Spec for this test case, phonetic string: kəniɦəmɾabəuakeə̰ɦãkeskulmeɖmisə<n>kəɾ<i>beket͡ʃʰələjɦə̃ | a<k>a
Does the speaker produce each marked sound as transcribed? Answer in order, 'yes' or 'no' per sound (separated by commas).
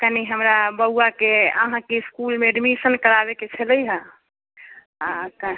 yes, no, yes